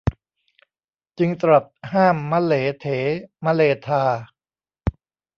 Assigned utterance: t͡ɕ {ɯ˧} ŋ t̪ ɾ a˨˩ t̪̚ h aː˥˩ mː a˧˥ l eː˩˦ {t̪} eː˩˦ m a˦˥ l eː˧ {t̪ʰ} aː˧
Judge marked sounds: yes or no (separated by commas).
yes, no, yes